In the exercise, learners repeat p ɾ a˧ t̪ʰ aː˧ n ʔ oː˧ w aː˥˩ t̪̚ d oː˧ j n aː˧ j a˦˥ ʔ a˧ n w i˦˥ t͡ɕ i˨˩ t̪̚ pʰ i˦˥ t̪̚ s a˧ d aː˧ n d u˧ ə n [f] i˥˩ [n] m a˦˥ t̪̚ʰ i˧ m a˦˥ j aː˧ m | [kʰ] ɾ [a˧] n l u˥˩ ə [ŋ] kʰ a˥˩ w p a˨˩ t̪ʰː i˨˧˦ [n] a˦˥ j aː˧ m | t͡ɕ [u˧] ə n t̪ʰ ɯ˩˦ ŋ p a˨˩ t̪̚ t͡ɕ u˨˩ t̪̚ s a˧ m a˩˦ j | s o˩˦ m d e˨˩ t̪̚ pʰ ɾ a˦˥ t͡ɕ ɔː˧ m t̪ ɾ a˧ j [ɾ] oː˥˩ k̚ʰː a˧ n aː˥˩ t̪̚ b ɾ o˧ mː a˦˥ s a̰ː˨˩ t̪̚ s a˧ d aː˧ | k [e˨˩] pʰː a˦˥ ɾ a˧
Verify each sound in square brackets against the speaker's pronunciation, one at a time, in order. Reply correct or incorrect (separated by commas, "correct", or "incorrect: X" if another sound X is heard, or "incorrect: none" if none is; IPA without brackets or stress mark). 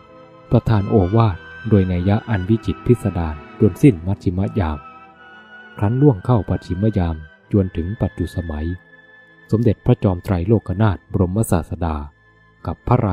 incorrect: s, correct, correct, incorrect: a˦˥, correct, incorrect: m, correct, incorrect: l, incorrect: a˨˩